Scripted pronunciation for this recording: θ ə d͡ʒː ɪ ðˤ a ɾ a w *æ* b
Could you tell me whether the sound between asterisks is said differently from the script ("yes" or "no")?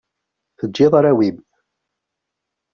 yes